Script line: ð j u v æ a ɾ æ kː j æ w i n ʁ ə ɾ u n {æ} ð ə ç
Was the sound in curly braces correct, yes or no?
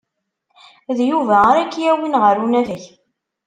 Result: yes